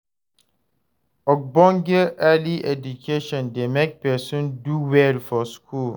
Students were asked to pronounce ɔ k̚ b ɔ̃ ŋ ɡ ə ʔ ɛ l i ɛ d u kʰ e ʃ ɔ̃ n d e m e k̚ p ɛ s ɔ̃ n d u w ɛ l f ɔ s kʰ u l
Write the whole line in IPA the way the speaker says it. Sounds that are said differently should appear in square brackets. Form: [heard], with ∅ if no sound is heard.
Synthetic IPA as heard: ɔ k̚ b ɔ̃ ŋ ɡ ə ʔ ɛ l i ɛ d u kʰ e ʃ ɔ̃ n d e m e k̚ p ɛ s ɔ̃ n d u w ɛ l f ɔ s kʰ u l